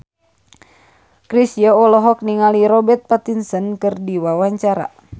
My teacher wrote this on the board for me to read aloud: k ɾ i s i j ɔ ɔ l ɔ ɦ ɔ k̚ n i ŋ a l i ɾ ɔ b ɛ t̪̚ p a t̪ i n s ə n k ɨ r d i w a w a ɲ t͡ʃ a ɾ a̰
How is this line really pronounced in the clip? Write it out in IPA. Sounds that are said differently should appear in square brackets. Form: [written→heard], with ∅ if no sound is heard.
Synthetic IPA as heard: k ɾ i s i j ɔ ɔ l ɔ ɦ ɔ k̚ n i ŋ a l i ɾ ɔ b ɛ t̪̚ p a t̪ i n s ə n k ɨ r d i w a w a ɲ t͡ʃ a ɾ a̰